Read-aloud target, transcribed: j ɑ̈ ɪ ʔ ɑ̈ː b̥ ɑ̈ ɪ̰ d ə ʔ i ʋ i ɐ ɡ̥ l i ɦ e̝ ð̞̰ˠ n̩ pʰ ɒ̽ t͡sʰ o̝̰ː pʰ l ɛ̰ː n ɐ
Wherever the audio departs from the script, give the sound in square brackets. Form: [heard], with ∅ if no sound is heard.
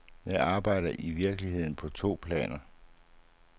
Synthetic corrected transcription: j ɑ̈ ɪ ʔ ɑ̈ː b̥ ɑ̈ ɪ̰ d [ɐ] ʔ i ʋ i ɐ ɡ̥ l i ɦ e̝ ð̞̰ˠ n̩ pʰ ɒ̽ t͡sʰ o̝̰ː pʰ l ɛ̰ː n ɐ